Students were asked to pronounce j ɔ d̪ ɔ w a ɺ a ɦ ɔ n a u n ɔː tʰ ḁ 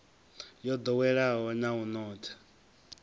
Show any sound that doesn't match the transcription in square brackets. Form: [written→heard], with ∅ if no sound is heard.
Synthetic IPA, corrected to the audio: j ɔ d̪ ɔ w [a→ɛ] ɺ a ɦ ɔ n a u n ɔː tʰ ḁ